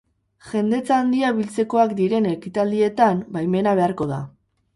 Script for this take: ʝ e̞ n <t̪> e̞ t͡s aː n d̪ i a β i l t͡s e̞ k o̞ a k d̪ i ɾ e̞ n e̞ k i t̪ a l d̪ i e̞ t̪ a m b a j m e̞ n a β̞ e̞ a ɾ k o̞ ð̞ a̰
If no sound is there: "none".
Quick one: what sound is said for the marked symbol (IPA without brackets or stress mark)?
d̪